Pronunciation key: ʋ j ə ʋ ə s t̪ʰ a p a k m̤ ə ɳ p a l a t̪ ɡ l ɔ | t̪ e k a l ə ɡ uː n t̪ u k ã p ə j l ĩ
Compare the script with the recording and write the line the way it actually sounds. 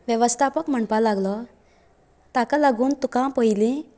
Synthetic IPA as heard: ʋ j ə ʋ ə s t̪ʰ a p ə k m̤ ə ɳ p a l a ɡ l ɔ | t̪ a k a l a ɡ uː n t̪ u k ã p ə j l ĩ